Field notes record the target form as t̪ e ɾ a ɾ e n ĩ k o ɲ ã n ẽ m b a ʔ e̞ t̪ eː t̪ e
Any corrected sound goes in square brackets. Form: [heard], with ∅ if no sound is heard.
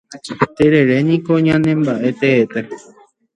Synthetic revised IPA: t̪ e ɾ [e] ɾ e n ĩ k o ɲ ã n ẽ m b a ʔ e̞ t̪ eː t̪ e